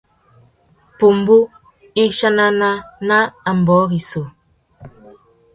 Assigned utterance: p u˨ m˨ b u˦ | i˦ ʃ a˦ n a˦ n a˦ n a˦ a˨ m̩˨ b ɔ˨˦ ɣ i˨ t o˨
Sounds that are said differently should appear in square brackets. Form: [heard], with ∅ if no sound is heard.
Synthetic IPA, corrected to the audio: p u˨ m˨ b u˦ | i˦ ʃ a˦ n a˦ n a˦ n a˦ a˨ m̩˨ b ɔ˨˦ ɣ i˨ [s] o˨

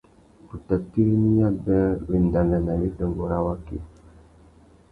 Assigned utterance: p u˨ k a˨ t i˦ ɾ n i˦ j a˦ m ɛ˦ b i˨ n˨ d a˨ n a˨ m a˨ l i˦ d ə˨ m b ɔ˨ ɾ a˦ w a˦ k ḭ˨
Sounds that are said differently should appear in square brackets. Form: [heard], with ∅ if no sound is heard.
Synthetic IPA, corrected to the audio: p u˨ [t] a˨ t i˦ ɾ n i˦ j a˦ [b] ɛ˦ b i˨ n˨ d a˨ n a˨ [n] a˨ l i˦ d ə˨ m b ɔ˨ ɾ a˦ w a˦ k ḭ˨

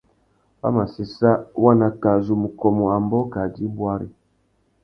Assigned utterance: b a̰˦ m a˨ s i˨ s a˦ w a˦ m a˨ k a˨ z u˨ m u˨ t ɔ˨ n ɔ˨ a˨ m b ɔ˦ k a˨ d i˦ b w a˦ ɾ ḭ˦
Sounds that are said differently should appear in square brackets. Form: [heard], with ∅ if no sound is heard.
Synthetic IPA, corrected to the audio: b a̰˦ m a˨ s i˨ s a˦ w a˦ [n] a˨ k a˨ z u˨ m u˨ [k] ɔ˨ [m] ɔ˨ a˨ m b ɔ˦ k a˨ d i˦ b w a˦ ɾ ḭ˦

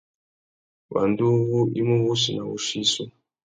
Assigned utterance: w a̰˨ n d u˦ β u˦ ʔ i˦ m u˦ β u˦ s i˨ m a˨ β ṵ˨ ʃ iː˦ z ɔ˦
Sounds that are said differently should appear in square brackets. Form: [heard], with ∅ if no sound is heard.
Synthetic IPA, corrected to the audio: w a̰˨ n d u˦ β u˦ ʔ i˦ m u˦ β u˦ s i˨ [n] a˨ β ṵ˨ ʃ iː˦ [s] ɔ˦

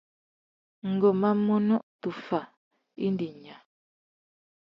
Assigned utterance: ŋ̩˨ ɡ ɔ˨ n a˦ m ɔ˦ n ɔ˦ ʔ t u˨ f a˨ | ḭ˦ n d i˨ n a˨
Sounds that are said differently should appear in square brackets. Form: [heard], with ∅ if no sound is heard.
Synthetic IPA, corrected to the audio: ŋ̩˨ ɡ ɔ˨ [m] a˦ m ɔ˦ n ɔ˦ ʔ t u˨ f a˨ | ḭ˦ n d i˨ [ɲ] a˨

